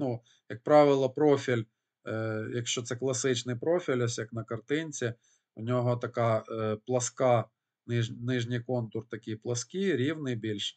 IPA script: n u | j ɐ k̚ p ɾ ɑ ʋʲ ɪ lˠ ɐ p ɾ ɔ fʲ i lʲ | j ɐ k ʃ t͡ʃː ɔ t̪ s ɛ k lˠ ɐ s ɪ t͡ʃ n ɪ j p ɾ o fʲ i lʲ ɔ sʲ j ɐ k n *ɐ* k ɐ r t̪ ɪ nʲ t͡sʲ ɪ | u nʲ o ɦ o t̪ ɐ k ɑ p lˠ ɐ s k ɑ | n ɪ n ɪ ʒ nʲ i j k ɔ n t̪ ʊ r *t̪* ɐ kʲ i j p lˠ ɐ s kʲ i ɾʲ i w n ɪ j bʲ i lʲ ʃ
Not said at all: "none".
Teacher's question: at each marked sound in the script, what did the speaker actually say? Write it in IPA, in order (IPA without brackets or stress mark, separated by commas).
ɐ, t̪